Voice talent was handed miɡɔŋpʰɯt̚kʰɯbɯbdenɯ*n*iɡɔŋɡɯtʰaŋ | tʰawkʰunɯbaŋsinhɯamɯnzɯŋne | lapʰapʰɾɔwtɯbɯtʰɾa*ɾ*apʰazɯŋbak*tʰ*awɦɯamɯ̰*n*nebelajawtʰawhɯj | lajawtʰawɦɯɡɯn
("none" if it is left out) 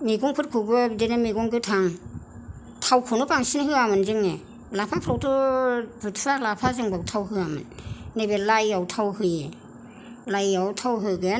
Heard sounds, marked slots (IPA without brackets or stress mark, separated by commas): m, l, tʰ, n